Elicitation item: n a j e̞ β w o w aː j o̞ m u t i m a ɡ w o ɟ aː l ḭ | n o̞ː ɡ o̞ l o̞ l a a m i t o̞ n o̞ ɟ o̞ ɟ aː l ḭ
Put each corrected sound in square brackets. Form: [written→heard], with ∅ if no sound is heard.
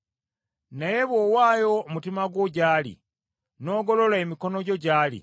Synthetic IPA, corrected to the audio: n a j e̞ β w o w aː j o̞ m u t i m a ɡ w o ɟ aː l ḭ | n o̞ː ɡ o̞ l o̞ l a [a→e] m i [t→k] o̞ n o̞ ɟ o̞ ɟ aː l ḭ